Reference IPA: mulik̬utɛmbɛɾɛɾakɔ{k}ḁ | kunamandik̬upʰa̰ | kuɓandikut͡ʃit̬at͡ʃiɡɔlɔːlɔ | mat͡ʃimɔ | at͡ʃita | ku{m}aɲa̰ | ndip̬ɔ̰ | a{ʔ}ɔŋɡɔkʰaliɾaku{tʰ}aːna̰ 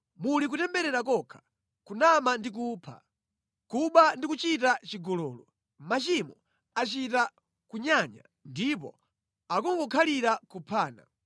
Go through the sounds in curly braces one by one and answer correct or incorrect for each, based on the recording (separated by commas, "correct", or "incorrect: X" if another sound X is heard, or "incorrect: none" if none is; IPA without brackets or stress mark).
incorrect: kʰ, incorrect: ɲ, incorrect: k, incorrect: pʰ